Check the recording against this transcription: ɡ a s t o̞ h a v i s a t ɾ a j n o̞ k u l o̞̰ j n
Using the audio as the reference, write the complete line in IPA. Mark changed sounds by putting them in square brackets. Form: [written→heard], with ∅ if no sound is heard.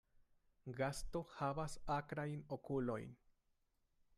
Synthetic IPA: ɡ a s t o̞ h a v [i→a] s a [t→k] ɾ a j n o̞ k u l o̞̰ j n